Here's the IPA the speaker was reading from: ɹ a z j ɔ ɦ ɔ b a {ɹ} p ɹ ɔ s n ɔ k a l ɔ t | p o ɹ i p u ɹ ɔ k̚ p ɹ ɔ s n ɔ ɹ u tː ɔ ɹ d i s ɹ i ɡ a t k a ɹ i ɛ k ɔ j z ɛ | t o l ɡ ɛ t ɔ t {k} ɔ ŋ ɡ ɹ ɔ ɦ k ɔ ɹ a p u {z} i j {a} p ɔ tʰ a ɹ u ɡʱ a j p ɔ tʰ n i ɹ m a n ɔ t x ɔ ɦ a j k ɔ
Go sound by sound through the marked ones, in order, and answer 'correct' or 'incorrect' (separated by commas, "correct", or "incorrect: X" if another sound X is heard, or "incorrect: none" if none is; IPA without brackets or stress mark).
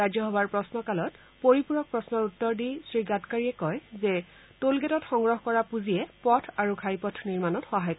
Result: correct, incorrect: x, correct, incorrect: ɛ